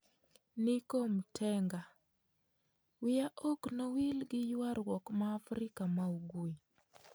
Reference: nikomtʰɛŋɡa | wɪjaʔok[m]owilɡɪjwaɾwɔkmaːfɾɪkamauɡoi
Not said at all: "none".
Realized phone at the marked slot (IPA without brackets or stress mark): n